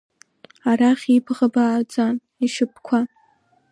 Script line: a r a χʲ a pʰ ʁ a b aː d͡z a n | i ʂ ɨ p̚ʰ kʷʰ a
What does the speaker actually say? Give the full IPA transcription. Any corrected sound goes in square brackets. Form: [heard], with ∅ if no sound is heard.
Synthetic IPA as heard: a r a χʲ [i] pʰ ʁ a b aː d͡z a n | i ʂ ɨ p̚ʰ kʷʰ a